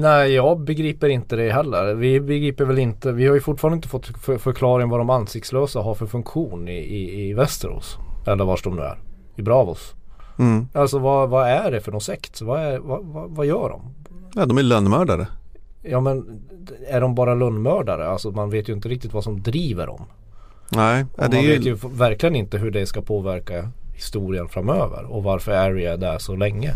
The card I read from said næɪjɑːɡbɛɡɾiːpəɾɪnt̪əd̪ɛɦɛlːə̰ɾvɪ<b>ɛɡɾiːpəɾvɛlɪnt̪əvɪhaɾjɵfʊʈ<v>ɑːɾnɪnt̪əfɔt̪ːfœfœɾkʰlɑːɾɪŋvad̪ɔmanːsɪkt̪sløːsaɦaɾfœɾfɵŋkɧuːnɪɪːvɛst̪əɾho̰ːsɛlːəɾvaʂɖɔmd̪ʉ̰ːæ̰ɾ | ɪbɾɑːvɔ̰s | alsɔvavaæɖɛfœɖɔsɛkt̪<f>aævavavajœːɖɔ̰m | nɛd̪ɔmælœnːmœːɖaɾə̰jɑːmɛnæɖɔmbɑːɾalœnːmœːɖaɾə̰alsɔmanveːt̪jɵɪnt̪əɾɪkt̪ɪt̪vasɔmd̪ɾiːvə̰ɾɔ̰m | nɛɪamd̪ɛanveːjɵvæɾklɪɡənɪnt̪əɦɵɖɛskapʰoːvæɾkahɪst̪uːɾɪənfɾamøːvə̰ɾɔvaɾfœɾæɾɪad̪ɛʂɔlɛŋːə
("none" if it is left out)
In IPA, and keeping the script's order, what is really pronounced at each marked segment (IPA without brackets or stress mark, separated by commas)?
b, f, v